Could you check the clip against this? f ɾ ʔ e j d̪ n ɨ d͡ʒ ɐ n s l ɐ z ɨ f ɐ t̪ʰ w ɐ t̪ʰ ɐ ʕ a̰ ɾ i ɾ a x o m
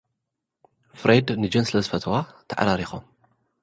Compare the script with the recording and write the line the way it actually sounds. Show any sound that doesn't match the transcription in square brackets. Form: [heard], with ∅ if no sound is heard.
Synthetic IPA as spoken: f ɾ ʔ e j d̪ n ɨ d͡ʒ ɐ n s l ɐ z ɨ f ɐ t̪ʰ w [a] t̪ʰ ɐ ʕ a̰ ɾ [a] ɾ [i] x o m